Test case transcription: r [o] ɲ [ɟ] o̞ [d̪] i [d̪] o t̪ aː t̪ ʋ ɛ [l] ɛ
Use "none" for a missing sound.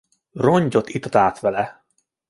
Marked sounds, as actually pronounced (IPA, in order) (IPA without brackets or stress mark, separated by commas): o, ɟ, t̪, t̪, l